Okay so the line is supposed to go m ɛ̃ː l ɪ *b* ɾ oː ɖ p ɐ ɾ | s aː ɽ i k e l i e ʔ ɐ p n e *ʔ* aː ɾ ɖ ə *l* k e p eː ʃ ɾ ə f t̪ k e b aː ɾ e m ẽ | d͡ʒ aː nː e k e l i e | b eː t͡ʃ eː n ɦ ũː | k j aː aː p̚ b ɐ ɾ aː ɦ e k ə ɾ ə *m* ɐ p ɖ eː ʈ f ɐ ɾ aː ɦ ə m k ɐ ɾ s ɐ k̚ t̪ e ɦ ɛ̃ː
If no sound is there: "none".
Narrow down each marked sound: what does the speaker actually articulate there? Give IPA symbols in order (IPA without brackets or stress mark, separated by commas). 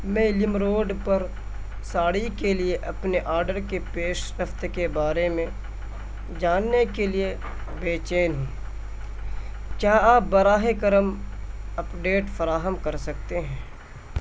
m, ʔ, ɾ, m